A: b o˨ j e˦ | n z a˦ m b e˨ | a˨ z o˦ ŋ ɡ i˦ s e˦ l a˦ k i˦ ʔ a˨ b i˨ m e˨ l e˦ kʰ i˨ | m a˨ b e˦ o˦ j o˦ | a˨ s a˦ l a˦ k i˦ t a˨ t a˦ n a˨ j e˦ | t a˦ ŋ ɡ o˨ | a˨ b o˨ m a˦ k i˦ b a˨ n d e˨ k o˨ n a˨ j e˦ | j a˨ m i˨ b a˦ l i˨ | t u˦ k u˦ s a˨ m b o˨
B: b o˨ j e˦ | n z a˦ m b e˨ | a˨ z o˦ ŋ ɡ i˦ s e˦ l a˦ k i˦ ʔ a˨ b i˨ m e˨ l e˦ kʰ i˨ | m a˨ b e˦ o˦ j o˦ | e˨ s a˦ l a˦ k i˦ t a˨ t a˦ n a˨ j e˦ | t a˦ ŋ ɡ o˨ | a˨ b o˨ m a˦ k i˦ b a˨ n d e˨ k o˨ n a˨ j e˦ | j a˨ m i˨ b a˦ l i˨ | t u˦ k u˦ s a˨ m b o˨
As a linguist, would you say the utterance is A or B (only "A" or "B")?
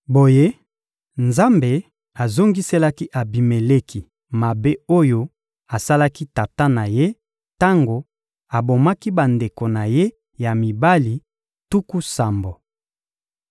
A